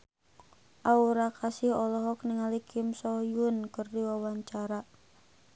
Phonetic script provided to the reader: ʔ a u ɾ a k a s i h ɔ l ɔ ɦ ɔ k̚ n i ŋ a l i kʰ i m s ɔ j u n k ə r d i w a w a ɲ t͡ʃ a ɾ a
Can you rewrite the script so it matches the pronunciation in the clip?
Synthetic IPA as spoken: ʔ a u ɾ a k a s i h ɔ l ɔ ɦ ɔ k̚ n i ŋ a l i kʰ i m s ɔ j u n k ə r d i w a w a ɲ t͡ʃ a ɾ a